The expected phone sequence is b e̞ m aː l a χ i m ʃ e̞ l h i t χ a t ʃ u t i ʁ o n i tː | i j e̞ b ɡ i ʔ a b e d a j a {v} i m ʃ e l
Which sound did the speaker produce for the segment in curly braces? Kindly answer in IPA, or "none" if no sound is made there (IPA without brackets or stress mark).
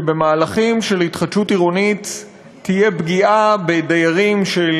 ʁ